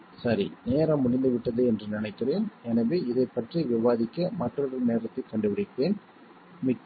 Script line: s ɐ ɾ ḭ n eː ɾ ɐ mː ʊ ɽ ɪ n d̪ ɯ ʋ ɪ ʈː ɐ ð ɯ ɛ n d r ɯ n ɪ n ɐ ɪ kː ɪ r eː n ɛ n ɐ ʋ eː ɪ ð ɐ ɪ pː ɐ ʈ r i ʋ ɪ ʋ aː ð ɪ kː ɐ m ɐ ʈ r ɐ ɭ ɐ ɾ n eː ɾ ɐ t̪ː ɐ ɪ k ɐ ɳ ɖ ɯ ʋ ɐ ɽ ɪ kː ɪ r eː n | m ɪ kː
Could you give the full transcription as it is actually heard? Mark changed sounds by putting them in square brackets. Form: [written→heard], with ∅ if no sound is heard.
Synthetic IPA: s ɐ ɾ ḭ n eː ɾ ɐ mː ʊ ɽ ɪ n d̪ ɯ ʋ ɪ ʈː ɐ ð ɯ ɛ n d r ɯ n ɪ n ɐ ɪ kː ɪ r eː n ɛ n ɐ ʋ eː ɪ ð ɐ ɪ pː ɐ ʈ r i ʋ ɪ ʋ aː ð ɪ kː ɐ m ɐ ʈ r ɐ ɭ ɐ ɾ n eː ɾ ɐ t̪ː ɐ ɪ k ɐ ɳ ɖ ɯ ʋ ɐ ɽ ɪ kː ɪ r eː n | m ɪ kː